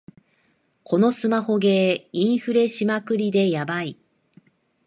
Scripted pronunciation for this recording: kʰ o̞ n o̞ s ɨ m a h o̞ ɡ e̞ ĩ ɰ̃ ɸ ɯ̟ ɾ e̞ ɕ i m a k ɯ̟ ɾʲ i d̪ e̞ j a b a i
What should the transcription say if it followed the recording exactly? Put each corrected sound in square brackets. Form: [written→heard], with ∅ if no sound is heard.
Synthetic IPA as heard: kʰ o̞ n o̞ s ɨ m a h o̞ ɡ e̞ ĩ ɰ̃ ɸ ɯ̟ ɾ e̞ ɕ i m a k ɯ̟ ɾʲ i d̪ e̞ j a b a i